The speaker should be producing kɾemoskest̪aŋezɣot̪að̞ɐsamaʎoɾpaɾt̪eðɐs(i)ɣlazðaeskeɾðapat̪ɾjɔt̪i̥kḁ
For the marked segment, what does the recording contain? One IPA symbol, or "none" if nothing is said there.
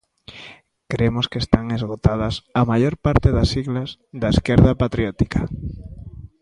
i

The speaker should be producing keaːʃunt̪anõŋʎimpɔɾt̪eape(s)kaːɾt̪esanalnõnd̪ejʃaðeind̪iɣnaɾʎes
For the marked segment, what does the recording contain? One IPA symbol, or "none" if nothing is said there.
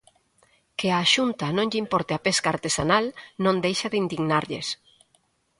s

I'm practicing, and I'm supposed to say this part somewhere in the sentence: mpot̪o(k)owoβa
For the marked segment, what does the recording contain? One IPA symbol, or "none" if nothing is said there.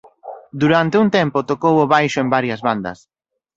k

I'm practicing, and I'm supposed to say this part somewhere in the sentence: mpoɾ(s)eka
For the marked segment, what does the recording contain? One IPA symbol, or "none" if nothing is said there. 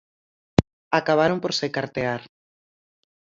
s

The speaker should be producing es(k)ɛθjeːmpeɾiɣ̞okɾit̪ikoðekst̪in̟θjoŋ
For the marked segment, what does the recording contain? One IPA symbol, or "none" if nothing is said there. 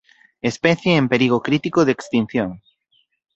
p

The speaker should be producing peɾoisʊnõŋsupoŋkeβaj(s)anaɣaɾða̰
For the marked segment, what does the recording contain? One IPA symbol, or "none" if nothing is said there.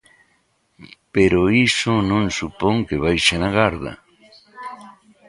ʃ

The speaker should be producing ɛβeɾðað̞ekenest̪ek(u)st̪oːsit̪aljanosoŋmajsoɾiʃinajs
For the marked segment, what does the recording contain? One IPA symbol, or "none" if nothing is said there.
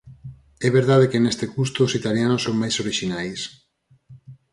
u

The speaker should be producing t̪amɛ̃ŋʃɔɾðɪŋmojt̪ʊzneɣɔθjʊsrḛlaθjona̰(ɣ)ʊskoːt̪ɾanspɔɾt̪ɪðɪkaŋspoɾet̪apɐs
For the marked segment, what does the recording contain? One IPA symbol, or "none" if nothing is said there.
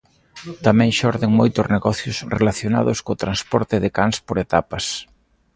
ð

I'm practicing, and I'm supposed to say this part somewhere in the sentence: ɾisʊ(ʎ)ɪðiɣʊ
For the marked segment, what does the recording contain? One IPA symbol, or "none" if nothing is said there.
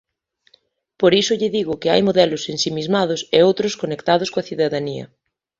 ʎ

